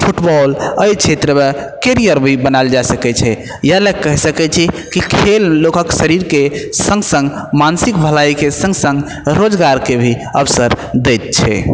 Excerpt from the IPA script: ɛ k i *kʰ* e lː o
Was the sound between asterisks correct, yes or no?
yes